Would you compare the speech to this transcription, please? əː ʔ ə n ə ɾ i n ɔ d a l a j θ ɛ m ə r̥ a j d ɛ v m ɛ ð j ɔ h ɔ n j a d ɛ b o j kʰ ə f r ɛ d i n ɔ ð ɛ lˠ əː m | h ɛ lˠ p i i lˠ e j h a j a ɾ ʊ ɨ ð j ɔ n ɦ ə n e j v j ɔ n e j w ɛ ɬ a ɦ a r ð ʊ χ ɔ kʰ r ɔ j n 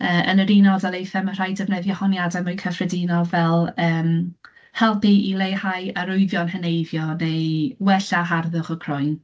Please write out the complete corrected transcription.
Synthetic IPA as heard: əː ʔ ə n ə ɾ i n ɔ d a l e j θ ɛ m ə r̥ a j d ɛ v n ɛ ð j ɔ h ɔ n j a d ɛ m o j kʰ ə f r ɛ d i n ɔ v ɛ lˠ əː m | h ɛ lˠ p i i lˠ e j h a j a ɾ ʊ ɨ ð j ɔ n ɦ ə n e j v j ɔ n e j w ɛ ɬ a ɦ a r ð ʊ χ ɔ kʰ r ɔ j n